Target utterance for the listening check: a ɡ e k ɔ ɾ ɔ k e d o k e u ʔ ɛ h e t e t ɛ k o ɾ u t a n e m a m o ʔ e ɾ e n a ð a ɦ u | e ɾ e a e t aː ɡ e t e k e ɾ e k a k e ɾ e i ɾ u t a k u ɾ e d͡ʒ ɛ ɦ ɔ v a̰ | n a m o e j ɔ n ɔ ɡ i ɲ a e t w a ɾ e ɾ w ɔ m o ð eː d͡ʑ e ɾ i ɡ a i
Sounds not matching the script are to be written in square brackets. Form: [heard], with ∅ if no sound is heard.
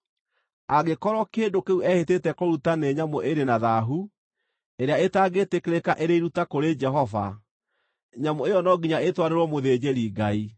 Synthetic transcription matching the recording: a ɡ e k ɔ ɾ ɔ k e d o k e u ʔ ɛ h e t e t ɛ k o ɾ u t a n e [ɲ] a m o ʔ e ɾ e n a ð a ɦ u | e ɾ e a e t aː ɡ e t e k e ɾ e k a [ʔ] e ɾ e i ɾ u t a k [o] ɾ e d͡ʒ ɛ ɦ ɔ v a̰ | [ɲ] a m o e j ɔ n ɔ ɡ i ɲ a e t w a ɾ e ɾ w ɔ m o ð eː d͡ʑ e ɾ i ɡ a i